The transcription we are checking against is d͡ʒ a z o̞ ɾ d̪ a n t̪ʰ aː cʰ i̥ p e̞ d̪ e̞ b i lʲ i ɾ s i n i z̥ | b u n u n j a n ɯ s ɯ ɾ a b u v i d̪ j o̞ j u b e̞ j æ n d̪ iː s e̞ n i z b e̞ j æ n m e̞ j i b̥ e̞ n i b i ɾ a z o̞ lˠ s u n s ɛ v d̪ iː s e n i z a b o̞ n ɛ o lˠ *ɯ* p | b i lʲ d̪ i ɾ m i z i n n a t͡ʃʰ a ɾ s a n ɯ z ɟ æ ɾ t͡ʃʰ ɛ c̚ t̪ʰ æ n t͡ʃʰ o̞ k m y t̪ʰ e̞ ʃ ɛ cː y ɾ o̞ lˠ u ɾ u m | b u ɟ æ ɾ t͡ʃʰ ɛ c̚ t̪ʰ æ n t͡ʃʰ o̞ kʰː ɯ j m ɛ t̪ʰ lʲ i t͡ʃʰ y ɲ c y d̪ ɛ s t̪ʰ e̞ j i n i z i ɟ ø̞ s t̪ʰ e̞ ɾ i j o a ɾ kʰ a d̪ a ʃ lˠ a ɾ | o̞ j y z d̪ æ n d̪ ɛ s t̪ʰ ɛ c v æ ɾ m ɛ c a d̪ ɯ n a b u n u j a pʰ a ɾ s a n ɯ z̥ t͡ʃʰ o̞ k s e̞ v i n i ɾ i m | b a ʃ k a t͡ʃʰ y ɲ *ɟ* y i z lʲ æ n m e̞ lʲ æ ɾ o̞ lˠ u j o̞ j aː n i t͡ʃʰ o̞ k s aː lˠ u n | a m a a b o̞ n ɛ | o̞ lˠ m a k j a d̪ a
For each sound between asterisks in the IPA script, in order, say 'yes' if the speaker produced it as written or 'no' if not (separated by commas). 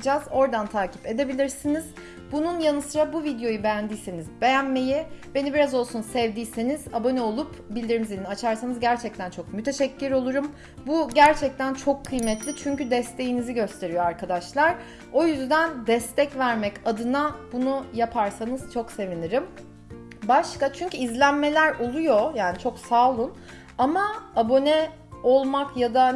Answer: no, no